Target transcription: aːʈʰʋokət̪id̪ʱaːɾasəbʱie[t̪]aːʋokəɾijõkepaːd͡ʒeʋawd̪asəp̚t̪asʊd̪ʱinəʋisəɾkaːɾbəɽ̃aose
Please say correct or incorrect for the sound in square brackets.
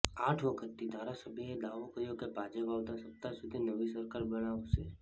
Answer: incorrect